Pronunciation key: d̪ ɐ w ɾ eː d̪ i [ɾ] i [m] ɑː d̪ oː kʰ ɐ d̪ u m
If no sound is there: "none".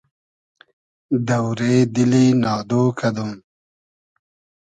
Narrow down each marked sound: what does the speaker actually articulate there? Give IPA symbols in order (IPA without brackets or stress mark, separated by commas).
l, n